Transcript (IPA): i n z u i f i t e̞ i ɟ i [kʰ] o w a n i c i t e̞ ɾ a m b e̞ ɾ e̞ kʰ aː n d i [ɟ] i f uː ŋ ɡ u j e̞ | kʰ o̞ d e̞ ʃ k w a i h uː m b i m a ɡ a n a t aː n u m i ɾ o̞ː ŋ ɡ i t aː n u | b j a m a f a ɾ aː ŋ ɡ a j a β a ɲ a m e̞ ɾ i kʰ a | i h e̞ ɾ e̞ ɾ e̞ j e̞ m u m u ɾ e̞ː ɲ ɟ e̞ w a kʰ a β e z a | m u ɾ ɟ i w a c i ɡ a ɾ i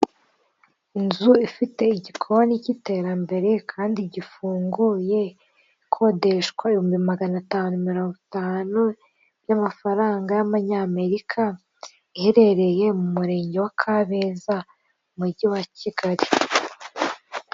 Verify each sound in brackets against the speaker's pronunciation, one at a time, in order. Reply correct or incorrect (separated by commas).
correct, correct